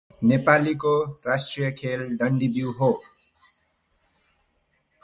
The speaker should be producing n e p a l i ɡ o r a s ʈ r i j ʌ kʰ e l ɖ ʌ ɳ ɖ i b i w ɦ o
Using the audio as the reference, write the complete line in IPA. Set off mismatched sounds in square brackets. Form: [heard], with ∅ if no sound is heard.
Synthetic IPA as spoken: n e p a l i [k] o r a s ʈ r i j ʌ kʰ e l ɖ ʌ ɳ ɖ i b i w ɦ o